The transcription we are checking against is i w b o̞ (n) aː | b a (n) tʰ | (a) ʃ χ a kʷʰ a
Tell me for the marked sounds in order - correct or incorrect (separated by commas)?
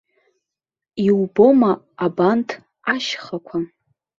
incorrect, correct, correct